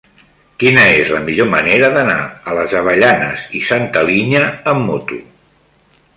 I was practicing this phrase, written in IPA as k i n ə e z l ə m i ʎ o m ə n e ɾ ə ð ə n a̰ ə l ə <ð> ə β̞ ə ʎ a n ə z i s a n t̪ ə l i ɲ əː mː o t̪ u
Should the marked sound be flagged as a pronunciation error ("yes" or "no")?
yes